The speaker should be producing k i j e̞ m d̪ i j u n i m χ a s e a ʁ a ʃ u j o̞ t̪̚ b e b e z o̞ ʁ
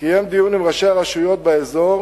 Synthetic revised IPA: k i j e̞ m d̪ i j u n i m ʁ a ʃ e a ʁ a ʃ u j o̞ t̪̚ b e e z o̞ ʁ